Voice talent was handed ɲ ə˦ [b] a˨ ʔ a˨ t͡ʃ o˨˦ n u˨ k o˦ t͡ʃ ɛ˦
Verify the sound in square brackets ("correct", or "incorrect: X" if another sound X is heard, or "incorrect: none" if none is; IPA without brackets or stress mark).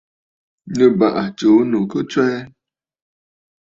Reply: correct